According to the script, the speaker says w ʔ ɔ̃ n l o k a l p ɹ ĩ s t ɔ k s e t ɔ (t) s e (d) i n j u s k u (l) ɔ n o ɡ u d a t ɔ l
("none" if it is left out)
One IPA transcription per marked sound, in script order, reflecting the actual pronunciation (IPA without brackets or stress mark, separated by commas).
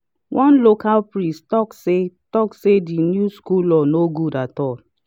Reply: k, d, l